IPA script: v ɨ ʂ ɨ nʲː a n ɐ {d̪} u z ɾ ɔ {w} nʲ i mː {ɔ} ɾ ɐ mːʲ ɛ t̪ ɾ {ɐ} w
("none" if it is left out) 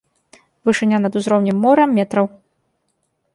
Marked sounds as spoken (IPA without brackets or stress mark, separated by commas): d̪, w, ɔ, ɐ